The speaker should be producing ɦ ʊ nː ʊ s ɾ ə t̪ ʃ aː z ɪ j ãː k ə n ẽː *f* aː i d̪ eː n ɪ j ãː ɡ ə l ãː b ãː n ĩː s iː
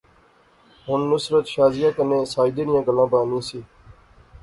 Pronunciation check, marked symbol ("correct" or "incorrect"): incorrect